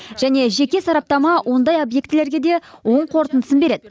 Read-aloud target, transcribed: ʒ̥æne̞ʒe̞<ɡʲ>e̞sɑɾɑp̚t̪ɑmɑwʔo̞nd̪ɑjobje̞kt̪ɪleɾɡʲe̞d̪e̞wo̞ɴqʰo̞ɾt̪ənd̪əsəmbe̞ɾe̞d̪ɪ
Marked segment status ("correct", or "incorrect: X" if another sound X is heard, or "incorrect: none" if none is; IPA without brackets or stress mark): incorrect: kʲ